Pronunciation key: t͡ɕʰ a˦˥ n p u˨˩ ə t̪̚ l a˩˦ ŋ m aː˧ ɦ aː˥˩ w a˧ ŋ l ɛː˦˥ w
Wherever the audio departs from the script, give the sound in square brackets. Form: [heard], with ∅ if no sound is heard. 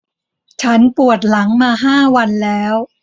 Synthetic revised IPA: t͡ɕʰ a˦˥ n p u˨˩ ə t̪̚ l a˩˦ ŋ m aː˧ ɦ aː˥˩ w a˧ [n] l ɛː˦˥ w